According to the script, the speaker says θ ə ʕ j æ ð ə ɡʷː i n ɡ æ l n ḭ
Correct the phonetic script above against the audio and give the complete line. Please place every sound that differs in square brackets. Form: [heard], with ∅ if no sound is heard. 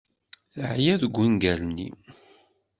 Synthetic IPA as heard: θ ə ʕ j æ ð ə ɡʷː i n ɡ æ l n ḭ